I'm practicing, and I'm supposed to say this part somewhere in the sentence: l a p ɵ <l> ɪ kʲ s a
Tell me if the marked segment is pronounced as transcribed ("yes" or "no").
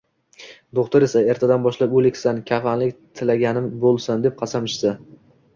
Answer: yes